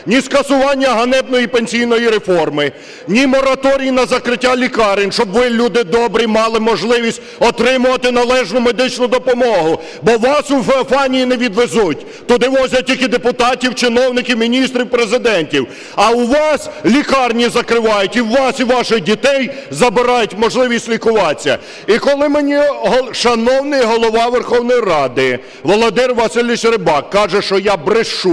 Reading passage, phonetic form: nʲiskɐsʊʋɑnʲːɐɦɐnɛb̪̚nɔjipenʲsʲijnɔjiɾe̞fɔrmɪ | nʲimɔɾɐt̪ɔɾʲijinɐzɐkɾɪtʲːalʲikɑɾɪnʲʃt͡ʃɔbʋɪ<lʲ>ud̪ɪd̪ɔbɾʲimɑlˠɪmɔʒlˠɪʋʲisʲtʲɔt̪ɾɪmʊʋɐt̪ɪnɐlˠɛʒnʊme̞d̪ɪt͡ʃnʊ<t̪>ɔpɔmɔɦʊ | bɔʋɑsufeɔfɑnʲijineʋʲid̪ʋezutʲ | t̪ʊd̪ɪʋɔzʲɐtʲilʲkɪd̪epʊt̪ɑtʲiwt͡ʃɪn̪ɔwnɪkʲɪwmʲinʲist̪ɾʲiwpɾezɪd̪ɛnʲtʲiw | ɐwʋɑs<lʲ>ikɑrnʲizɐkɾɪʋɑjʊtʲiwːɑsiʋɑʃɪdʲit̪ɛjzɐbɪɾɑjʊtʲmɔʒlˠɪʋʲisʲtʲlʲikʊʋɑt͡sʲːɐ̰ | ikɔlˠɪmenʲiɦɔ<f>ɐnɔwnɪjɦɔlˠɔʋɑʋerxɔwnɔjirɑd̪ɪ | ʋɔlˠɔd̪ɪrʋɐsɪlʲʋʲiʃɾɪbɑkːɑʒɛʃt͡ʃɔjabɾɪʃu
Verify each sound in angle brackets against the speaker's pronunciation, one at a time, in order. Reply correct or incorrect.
correct, incorrect, correct, incorrect

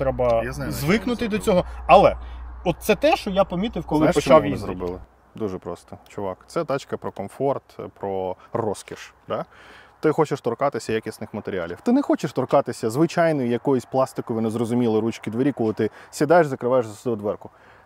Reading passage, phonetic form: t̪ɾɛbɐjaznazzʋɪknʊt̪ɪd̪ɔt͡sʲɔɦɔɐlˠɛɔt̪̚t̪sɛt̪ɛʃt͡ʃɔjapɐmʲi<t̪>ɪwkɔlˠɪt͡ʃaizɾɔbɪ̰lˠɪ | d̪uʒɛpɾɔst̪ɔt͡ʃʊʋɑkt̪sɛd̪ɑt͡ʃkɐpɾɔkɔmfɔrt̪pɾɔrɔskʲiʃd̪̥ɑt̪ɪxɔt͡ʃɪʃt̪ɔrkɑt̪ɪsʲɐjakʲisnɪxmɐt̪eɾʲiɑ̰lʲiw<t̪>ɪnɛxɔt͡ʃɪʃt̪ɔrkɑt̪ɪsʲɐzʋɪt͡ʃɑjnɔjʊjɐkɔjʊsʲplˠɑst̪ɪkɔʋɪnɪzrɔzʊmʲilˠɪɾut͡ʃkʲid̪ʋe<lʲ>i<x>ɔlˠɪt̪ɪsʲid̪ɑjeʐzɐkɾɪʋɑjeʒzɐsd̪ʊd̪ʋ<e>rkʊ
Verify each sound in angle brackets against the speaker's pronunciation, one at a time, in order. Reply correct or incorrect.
correct, correct, incorrect, incorrect, incorrect

